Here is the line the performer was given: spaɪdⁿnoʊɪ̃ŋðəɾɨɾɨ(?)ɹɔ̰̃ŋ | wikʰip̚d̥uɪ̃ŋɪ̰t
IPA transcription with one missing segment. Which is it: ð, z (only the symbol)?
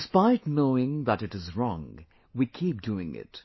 z